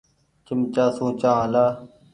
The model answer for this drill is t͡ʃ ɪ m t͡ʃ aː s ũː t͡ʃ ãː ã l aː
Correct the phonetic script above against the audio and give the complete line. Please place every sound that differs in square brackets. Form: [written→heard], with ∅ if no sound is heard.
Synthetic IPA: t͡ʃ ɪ m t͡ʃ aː s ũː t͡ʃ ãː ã l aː